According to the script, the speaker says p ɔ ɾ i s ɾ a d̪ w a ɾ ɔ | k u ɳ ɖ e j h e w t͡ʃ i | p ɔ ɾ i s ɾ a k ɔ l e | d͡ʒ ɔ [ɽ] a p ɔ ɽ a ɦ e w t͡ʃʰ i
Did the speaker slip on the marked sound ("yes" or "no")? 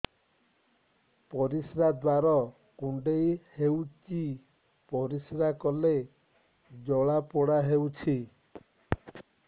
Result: yes